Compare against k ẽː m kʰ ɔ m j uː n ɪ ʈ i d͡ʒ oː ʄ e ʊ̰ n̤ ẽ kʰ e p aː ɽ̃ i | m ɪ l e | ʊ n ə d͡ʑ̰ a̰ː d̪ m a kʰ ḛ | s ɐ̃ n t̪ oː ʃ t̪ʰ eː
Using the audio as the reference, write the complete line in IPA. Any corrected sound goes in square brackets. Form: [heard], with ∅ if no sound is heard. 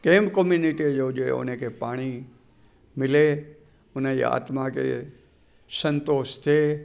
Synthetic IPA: k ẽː m [k] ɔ m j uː n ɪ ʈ i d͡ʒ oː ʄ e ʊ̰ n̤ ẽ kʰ e p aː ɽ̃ i | m ɪ l e | ʊ n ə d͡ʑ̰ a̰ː [t̪] m a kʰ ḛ | s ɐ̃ n t̪ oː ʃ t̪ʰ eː

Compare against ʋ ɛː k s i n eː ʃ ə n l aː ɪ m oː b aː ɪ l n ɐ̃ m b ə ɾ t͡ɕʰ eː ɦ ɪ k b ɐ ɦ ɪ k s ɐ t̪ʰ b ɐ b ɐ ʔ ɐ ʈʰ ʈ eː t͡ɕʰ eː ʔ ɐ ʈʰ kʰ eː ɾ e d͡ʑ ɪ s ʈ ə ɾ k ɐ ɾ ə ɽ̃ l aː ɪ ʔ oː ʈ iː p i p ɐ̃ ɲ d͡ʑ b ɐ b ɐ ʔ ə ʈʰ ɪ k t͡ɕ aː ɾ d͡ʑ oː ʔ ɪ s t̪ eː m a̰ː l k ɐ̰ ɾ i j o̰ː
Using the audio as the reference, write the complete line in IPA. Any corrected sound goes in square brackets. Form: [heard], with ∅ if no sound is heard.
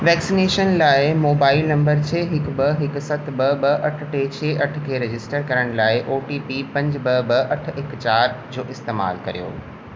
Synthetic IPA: ʋ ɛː k s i n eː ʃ ə n l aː ɪ m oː b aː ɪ l n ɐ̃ m b ə ɾ t͡ɕʰ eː ɦ ɪ k b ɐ ɦ ɪ k s ɐ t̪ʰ b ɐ b ɐ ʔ ɐ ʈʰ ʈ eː t͡ɕʰ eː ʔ ɐ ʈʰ kʰ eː ɾ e d͡ʑ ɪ s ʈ ə ɾ k ɐ ɾ ə ɽ̃ l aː ɪ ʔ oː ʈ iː p i p ɐ̃ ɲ d͡ʑ b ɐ b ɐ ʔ [ɐ] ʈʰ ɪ k t͡ɕ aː ɾ d͡ʑ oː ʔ ɪ s t̪ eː m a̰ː l k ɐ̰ ɾ i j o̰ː

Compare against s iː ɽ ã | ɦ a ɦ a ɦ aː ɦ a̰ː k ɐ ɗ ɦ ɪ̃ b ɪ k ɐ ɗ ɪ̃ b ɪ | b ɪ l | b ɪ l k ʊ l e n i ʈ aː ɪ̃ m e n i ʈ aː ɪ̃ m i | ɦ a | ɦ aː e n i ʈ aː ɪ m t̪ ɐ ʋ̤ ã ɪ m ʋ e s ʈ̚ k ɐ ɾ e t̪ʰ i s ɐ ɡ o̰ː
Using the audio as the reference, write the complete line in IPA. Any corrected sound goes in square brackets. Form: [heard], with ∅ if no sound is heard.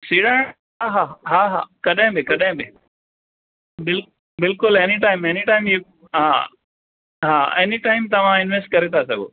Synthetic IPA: s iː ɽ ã | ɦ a ɦ a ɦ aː ɦ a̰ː k ɐ ɗ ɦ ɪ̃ b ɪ k ɐ ɗ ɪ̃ b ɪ | b ɪ l | b ɪ l k ʊ l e n i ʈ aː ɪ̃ m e n i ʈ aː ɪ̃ m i | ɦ a | ɦ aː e n i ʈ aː ɪ m t̪ ɐ ʋ̤ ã ɪ [n] ʋ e s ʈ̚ k ɐ ɾ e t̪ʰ [a] s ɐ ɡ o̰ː

